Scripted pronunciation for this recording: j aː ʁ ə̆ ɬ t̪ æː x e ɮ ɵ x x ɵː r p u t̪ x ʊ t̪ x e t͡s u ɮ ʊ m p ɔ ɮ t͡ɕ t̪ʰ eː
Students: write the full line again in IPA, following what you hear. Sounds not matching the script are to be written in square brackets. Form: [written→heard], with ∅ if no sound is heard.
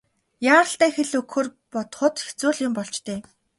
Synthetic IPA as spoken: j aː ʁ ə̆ ɬ t̪ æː x e ɮ ɵ [x→k] x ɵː r p [u→ɔ] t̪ [x→χ] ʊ t̪ x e t͡s [u→uː] ɮ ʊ m p ɔ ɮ t͡ɕ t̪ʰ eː